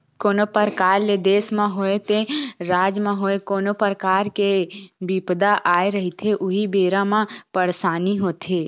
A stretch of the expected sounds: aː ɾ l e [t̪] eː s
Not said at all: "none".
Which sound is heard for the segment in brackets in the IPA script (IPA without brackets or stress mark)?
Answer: d̪